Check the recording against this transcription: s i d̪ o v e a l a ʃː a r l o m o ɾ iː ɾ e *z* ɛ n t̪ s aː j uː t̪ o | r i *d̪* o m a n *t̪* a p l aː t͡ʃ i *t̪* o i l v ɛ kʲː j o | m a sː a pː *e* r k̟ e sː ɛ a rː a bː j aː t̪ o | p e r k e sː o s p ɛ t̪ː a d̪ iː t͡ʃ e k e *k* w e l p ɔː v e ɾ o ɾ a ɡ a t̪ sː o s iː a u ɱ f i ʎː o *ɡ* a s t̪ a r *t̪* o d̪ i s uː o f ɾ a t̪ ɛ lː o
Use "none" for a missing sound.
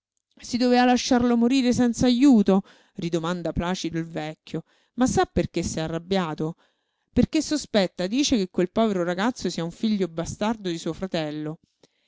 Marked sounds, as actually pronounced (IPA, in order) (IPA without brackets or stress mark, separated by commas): s, d̪, d̪, d̪, e, k, b, d̪